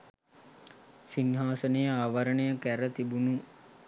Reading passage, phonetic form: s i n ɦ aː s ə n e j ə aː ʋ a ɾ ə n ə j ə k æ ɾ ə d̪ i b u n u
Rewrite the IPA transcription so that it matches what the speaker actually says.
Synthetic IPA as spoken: s i n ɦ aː s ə n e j ə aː ʋ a ɾ ə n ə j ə k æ ɾ ə t̪ i b u n u

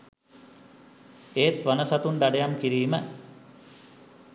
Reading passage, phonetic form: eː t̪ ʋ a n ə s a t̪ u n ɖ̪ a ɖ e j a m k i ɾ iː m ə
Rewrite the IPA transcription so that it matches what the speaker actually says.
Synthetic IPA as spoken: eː t̪ ʋ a n ə s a t̪ u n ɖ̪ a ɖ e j a m k i ɾ iː m ə

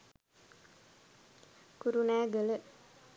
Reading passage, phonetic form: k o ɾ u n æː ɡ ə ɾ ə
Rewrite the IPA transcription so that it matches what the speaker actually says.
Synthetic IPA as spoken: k u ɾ u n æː ɡ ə l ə

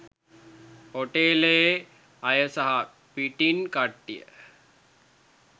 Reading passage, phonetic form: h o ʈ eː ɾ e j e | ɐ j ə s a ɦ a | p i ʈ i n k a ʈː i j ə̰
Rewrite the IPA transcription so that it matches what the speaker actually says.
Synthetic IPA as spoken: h o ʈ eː l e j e | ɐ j ə s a ɦ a | p i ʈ i n k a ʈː i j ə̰

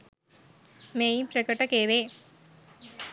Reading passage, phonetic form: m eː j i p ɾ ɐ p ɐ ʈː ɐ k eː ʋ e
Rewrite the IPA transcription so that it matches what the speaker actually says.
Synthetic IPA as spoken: m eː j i p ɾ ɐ k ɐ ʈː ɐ k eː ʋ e

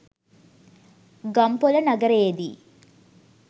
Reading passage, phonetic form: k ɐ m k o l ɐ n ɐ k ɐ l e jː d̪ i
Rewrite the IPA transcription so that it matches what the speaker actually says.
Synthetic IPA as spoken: ɡ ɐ m p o l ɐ n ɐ ɡ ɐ ɾ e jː d̪ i

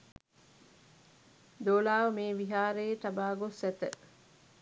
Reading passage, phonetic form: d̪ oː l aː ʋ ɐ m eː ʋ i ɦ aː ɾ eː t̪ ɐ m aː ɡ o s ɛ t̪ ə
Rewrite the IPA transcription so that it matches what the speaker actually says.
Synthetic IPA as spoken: d̪ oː l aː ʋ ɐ m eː ʋ i ɦ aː ɾ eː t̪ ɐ b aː ɡ o s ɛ t̪ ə

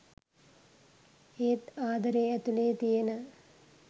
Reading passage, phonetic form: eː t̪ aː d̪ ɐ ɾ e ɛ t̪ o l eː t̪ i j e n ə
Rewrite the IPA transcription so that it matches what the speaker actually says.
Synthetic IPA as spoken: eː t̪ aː d̪ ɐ ɾ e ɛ t̪ u l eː t̪ i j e n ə

